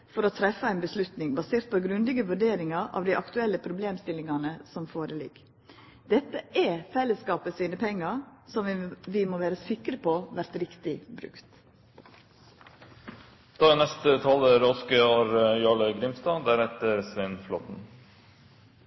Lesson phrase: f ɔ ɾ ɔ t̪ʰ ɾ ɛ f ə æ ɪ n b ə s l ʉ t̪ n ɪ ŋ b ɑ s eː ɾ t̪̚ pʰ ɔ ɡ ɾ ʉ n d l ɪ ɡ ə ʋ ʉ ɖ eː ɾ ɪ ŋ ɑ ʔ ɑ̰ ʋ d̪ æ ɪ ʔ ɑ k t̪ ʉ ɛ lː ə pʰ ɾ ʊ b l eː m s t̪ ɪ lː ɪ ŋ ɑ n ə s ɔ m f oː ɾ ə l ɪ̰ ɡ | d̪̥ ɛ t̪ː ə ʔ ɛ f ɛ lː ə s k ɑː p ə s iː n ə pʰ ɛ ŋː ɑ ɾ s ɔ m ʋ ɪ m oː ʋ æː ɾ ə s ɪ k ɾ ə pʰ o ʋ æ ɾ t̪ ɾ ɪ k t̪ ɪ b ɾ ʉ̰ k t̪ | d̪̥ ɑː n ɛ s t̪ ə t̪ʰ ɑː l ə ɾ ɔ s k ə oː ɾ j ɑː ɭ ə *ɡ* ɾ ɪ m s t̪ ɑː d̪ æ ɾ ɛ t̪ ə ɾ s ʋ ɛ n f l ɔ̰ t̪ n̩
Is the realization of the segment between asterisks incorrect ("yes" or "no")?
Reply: no